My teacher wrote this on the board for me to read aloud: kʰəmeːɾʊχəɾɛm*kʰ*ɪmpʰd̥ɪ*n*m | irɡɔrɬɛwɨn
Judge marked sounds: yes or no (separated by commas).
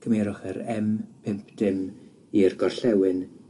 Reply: no, no